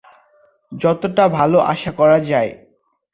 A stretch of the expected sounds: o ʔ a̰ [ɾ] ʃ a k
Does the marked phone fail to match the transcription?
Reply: yes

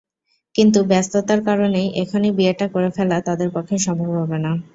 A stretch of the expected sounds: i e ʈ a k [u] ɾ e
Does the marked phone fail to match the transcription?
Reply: yes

